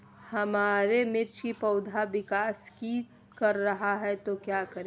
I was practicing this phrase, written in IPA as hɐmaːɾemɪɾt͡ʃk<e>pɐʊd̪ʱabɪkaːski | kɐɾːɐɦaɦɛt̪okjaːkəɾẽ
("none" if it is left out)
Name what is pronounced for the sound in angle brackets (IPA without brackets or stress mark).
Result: i